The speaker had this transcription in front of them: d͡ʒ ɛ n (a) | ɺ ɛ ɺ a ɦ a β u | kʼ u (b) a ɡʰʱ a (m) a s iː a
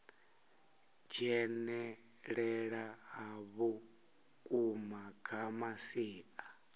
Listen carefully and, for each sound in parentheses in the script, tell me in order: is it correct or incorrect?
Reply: incorrect: ɛ, incorrect: m, correct

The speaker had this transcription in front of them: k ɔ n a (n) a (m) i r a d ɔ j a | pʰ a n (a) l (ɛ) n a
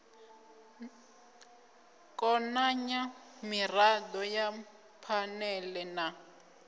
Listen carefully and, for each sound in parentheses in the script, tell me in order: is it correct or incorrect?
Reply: incorrect: ɲ, correct, incorrect: ɛ, correct

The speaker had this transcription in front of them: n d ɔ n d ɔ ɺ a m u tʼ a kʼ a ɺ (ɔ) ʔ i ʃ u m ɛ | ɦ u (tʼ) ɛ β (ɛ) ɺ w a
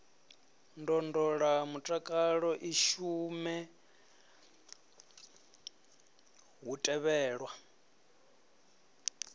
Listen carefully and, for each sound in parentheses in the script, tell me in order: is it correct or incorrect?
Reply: correct, correct, incorrect: ɛː

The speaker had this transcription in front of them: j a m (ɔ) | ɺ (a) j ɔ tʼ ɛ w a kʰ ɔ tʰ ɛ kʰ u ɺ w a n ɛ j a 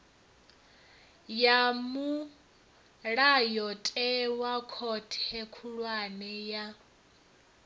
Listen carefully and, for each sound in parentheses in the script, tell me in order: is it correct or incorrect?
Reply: incorrect: u, correct

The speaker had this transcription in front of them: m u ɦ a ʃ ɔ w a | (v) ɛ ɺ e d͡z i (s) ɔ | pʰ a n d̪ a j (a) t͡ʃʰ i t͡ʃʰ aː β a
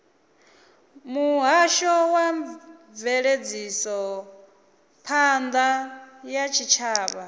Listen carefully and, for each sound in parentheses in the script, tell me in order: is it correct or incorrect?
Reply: correct, correct, correct

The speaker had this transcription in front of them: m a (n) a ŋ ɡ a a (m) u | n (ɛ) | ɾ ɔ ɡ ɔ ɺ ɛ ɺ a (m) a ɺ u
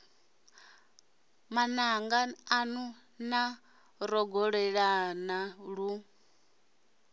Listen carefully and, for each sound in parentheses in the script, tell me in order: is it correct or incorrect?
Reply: correct, incorrect: n, incorrect: a, incorrect: n

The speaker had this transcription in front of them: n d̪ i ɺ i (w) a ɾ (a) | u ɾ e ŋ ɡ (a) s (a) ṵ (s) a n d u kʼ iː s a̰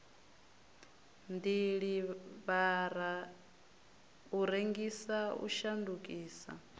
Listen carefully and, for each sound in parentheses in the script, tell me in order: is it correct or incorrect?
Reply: incorrect: β, correct, incorrect: i, correct, incorrect: ʃ

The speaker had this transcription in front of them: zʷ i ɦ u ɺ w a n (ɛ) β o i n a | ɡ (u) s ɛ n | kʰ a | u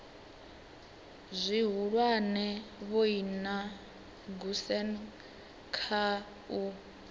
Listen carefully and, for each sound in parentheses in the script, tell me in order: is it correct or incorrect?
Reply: correct, correct

